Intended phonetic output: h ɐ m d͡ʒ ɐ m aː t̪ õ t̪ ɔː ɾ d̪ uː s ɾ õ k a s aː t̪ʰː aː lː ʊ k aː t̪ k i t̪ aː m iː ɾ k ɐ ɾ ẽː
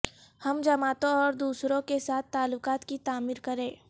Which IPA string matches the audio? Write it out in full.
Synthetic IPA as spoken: h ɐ m d͡ʒ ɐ m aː t̪ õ ɔː ɾ d̪ uː s ɾ õ k e s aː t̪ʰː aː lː ʊ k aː t̪ k i t̪ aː m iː ɾ k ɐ ɾ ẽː